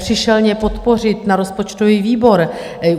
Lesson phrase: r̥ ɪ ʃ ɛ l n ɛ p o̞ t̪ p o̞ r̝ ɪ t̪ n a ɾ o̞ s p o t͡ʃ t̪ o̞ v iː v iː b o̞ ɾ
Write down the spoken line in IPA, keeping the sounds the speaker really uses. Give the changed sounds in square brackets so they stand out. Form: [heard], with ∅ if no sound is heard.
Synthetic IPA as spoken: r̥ ɪ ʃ ɛ l [ɲ] ɛ p o̞ t̪ p o̞ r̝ ɪ t̪ n a ɾ o̞ s p o t͡ʃ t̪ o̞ v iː v iː b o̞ ɾ

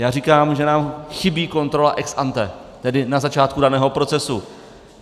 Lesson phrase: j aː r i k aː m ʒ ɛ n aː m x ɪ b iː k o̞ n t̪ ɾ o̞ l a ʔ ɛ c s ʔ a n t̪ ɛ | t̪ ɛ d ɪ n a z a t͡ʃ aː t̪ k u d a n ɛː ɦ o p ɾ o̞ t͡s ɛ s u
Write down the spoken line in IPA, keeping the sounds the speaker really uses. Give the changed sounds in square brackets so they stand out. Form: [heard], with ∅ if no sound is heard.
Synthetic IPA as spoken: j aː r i k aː m ʒ ɛ n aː m x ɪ b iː k o̞ n t̪ ɾ o̞ l a ʔ ɛ [k] s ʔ a n t̪ ɛ | t̪ ɛ d ɪ n a z a t͡ʃ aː t̪ k u d a n ɛː ɦ o p ɾ o̞ t͡s ɛ s u

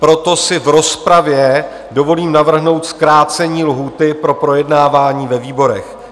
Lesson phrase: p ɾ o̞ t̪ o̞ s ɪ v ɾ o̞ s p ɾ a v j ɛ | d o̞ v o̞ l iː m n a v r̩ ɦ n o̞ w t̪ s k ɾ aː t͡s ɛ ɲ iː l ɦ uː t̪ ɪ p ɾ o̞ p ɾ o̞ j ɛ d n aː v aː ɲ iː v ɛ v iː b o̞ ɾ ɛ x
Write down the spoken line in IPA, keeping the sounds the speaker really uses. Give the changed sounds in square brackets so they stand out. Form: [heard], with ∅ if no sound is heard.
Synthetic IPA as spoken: p ɾ o̞ t̪ o̞ s ɪ v ɾ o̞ s p ɾ a v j ɛ | d o̞ v o̞ l iː m n a v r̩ ɦ n o̞ w t̪ s k ɾ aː t͡s ɛ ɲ iː l ɦ uː t̪ ɪ p ɾ o̞ p ɾ o̞ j ɛ d n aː v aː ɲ iː v ɛ v iː b o̞ ɾ ɛ x

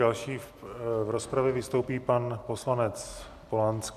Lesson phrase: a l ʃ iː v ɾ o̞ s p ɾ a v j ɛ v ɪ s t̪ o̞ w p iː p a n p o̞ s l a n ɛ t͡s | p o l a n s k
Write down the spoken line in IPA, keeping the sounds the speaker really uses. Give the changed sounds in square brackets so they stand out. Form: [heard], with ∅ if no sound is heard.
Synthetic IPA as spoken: a l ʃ iː v ɾ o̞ s p ɾ a v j ɛ v ɪ s t̪ o̞ w p iː p a n p o̞ s l a n ɛ t͡s | p o l a n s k

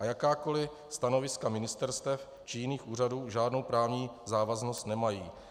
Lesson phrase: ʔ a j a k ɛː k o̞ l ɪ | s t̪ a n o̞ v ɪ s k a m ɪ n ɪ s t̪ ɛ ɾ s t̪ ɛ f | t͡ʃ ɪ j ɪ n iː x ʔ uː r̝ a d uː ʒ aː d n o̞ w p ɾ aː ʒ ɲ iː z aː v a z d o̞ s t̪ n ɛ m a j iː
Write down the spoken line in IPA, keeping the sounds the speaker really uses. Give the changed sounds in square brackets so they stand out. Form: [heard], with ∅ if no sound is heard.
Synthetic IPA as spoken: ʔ a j a k [aː] k o̞ l ɪ | s t̪ a n o̞ v ɪ s k a m ɪ n ɪ s t̪ ɛ ɾ s t̪ ɛ f | t͡ʃ ɪ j ɪ n iː x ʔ uː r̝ a d uː ʒ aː d n o̞ w p ɾ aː [v] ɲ iː z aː v a z [n] o̞ s t̪ n ɛ m a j iː

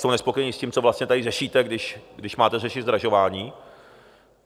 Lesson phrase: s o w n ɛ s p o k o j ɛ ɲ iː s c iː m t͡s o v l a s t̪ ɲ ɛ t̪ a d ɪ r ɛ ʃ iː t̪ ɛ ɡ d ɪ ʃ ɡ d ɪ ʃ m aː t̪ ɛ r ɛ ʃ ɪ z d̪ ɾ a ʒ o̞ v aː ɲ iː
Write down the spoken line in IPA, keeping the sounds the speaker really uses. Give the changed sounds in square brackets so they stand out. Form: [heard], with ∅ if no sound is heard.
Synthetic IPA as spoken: s o w n ɛ s p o k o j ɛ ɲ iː s c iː m t͡s o v l a s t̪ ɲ ɛ t̪ a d ɪ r ɛ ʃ iː t̪ ɛ ɡ d ɪ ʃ ɡ d ɪ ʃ m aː t̪ ɛ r ɛ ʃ ɪ z d̪ ɾ a ʒ o̞ v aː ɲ iː

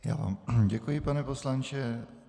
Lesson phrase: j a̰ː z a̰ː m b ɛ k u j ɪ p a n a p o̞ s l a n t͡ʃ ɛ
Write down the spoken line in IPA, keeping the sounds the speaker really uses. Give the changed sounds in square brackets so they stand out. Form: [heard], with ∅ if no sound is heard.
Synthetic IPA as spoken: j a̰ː [v] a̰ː m [ɟ] ɛ k u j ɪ p a n [ɛ] p o̞ s l a n t͡ʃ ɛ

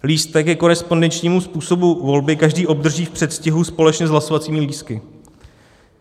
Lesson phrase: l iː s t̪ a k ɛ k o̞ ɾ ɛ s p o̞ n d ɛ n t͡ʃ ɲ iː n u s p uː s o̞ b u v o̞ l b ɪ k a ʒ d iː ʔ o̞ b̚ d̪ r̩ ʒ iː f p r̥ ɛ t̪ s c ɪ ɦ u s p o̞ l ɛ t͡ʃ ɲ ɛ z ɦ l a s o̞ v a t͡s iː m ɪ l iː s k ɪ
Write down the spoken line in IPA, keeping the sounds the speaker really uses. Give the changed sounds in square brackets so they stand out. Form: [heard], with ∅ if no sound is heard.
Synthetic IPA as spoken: l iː s t̪ [ɛ] k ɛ k o̞ ɾ ɛ s p o̞ n d ɛ n t͡ʃ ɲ iː [m] u s p uː s o̞ b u v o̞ l b ɪ k a ʒ d iː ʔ o̞ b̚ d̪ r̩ ʒ iː f p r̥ ɛ t̪ s c ɪ ɦ u s p o̞ l ɛ t͡ʃ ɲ ɛ z ɦ l a s o̞ v a t͡s iː m ɪ l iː s k ɪ

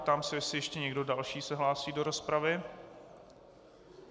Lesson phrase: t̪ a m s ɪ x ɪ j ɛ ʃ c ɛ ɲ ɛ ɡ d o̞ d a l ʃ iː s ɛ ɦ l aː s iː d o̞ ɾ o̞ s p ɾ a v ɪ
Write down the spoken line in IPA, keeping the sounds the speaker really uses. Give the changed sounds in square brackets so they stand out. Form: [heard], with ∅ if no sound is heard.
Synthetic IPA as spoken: t̪ a m s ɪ [s] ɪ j ɛ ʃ c ɛ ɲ ɛ ɡ d o̞ d a l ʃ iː s ɛ ɦ l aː s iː d o̞ ɾ o̞ s p ɾ a v ɪ

